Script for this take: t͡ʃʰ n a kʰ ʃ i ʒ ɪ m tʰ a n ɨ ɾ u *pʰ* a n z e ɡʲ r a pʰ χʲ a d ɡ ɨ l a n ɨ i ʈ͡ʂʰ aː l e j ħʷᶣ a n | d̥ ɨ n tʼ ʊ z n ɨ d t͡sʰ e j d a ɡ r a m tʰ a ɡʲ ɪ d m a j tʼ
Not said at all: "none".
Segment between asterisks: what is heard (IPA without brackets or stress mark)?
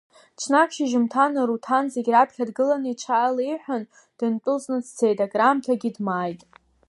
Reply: tʰ